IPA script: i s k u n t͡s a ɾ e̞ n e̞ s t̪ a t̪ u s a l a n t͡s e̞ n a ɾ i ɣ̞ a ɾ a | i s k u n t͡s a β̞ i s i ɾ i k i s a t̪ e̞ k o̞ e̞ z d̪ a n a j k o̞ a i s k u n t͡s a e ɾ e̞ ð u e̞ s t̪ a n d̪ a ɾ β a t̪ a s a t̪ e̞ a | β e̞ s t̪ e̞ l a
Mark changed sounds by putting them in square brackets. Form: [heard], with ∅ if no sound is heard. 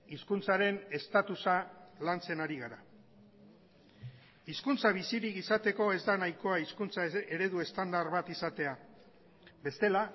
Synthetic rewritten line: i s k u n t͡s a ɾ e̞ n e̞ s t̪ a t̪ u s a l a n t͡s e̞ n a ɾ i ɣ̞ a ɾ a | i s k u n t͡s a β̞ i s i ɾ i k i s a t̪ e̞ k o̞ e̞ z d̪ a n a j k o̞ a i s k u n t͡s a e ɾ e̞ ð u e̞ s t̪ a n d̪ a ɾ β a t̪ [i] s a t̪ e̞ a | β e̞ s t̪ e̞ l a